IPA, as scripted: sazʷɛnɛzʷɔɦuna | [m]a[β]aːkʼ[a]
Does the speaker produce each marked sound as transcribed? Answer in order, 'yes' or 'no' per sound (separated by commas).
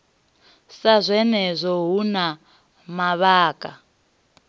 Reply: yes, yes, yes